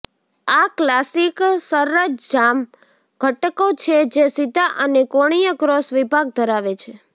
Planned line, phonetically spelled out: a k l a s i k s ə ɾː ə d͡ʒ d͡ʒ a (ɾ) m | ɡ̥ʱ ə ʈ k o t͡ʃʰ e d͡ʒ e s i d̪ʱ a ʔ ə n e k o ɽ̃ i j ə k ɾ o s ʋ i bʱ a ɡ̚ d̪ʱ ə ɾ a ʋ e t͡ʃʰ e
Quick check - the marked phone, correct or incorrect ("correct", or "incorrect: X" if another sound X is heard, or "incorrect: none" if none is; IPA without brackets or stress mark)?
incorrect: none